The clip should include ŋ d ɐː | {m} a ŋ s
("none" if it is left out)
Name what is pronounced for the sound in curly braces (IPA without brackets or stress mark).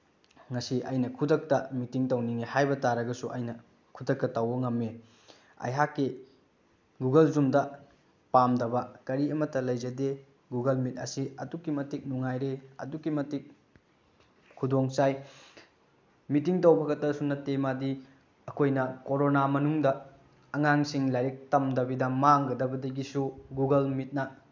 ŋ